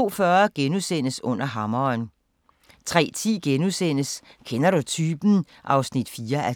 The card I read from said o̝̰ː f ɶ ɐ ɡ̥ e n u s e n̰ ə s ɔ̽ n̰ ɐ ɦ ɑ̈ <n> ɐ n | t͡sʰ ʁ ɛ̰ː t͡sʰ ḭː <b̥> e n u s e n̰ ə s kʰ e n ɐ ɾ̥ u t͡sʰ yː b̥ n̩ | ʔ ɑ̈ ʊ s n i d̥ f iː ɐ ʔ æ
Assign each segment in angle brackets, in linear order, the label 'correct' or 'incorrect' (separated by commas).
incorrect, incorrect